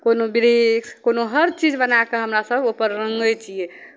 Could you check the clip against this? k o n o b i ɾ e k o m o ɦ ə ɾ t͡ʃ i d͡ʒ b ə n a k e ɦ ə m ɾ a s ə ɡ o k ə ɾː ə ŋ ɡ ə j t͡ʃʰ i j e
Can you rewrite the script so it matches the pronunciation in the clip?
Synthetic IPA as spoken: k o n o b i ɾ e k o n o ɦ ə ɾ t͡ʃ i d͡ʒ b ə n a k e ɦ ə m ɾ a s ə b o p ə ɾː ə ŋ ɡ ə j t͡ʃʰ i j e